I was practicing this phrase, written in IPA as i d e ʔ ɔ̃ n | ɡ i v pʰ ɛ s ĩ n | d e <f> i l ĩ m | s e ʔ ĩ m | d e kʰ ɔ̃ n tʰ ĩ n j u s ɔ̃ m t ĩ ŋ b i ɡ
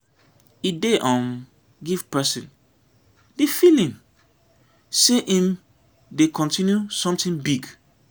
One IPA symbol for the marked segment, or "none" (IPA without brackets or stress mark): f